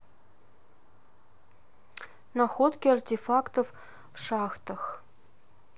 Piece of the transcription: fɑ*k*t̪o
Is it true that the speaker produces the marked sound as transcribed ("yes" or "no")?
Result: yes